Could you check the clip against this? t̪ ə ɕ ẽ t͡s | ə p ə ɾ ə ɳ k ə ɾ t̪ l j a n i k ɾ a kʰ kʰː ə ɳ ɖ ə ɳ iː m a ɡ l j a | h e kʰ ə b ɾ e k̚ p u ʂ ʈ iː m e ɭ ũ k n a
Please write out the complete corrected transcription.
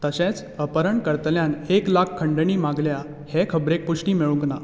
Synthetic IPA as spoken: t̪ ə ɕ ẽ t͡s | ə p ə ɾ ə ɳ k ə ɾ t̪ l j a n e k l a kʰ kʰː ə ɳ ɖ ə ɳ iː m a ɡ l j a | h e kʰ ə b ɾ e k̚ p u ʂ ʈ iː m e ɭ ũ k n a